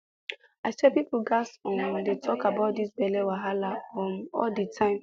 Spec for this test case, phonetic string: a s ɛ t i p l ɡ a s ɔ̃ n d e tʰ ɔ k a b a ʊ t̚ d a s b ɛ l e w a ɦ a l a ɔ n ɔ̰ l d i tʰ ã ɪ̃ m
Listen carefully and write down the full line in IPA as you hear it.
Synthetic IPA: a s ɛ p i p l ɡ a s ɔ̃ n d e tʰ ɔ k a b a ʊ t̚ d i s b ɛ l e w a ɦ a l a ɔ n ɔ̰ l d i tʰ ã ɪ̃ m